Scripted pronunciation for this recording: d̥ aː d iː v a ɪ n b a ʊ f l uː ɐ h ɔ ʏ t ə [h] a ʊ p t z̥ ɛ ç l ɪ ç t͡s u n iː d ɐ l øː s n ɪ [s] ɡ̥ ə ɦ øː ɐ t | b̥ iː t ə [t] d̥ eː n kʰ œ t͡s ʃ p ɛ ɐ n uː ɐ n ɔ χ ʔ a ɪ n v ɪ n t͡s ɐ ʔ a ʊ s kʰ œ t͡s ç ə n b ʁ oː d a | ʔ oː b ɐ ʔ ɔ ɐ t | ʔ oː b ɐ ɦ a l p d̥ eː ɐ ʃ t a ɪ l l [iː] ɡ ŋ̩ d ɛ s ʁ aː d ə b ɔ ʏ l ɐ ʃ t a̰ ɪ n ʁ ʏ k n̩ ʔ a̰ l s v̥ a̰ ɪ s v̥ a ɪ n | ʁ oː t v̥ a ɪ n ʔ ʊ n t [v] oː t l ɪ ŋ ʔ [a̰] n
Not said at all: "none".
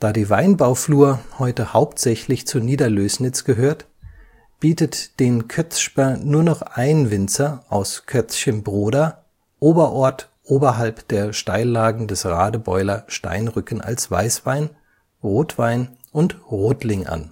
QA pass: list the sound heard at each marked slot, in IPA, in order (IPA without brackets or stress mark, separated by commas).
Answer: h, t͡s, t, aː, ʁ, a̰